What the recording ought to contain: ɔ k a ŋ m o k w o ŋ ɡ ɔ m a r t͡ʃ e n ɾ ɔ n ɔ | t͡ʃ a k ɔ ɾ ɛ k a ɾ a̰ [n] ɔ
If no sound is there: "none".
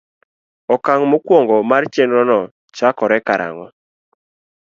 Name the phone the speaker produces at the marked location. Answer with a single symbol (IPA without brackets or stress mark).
ŋ